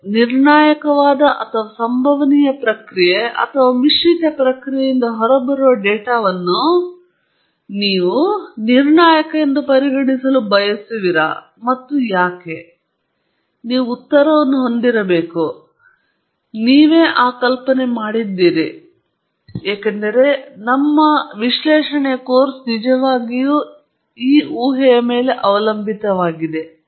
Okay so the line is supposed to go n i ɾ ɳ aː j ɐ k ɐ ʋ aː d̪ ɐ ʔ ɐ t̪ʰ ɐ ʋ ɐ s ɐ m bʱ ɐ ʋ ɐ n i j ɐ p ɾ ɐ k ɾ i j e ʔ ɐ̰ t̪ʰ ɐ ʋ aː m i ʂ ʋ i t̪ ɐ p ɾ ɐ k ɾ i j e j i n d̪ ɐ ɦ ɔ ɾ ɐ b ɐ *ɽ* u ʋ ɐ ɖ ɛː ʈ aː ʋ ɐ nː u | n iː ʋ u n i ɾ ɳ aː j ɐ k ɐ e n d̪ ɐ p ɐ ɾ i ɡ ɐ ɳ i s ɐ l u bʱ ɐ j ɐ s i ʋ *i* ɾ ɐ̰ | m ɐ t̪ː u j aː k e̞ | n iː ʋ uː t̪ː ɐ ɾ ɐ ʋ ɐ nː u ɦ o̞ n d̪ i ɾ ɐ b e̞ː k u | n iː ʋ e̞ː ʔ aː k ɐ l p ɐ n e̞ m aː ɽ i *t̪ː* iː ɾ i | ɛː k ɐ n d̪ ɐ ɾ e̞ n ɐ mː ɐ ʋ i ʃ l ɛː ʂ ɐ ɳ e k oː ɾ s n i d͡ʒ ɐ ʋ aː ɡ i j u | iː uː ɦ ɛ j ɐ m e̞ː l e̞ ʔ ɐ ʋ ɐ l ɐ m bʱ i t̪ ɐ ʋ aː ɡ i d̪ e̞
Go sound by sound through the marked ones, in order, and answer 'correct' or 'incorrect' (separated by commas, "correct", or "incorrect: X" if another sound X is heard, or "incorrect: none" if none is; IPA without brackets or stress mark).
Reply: incorrect: ɾ, correct, incorrect: d̪ː